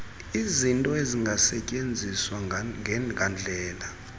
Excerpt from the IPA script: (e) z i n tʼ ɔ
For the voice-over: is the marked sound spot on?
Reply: no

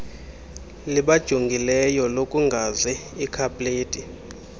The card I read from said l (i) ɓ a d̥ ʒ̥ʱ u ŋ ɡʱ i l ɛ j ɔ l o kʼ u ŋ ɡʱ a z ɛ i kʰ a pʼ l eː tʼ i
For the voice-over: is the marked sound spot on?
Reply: yes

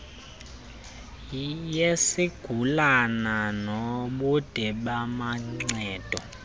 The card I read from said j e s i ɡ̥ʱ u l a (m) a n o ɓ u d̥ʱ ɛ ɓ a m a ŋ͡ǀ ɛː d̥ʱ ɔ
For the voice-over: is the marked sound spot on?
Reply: no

